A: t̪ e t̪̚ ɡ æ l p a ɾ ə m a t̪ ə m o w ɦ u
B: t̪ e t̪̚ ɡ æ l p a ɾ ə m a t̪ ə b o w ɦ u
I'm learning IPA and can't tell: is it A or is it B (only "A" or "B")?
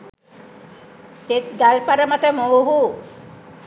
A